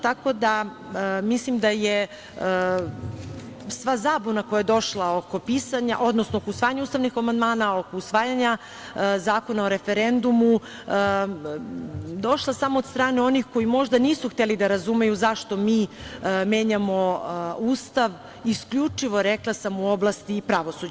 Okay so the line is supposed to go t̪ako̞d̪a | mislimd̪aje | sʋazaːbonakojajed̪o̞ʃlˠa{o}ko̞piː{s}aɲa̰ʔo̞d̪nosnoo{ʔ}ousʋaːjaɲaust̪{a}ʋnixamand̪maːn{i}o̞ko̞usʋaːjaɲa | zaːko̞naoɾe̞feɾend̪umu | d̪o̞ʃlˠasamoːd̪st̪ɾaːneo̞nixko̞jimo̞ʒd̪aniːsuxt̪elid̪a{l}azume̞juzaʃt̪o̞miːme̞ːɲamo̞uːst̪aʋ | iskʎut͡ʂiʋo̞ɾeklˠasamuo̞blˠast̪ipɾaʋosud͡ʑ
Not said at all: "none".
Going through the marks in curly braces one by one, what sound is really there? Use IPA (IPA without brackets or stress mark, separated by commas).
o, s, k, a, a, ɾ